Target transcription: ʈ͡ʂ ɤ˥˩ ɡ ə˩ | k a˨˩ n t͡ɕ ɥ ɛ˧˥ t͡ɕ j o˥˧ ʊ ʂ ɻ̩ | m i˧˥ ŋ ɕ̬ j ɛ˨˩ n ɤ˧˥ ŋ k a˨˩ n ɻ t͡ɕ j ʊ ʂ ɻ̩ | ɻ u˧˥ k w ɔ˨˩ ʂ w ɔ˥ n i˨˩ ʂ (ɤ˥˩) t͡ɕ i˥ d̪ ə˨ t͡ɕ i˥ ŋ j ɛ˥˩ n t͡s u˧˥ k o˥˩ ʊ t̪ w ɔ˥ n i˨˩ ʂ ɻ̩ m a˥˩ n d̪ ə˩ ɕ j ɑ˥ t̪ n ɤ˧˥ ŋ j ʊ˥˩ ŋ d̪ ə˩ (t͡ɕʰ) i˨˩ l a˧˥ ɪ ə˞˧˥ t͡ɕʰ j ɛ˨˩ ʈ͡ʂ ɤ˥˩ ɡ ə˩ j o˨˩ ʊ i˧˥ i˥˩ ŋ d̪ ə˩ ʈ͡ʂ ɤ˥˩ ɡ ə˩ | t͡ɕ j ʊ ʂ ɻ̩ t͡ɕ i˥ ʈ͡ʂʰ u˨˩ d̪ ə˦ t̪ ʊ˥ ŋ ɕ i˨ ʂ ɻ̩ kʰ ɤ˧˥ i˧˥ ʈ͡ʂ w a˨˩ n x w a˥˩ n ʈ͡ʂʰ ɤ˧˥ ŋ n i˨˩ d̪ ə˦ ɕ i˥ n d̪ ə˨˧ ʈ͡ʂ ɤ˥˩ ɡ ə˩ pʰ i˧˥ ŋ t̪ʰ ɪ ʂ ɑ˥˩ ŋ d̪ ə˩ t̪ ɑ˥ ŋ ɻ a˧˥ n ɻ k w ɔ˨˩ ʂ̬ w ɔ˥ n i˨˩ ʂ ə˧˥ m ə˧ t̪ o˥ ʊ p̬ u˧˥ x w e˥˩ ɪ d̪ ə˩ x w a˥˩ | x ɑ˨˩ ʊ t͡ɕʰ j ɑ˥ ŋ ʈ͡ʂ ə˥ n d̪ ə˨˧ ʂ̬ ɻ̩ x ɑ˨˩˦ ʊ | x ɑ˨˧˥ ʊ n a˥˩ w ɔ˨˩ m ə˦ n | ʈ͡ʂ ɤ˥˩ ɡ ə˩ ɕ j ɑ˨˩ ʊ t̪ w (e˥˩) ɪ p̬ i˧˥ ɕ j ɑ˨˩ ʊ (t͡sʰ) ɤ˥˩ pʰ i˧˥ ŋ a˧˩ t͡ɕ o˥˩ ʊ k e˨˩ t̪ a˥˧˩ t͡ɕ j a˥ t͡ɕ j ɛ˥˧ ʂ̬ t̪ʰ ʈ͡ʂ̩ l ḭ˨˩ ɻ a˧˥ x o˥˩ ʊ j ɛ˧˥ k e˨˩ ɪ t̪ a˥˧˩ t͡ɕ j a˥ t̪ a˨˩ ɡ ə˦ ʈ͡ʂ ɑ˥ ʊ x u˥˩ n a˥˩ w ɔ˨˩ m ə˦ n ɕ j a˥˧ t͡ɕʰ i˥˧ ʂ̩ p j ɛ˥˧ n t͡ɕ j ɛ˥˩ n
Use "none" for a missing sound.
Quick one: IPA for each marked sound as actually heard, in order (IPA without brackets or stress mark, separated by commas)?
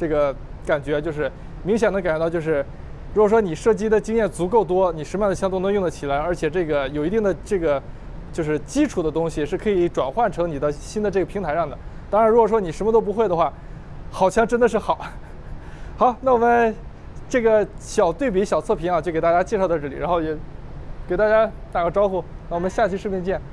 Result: ɤ˥˩, t͡ɕʰ, e˥˩, t͡sʰ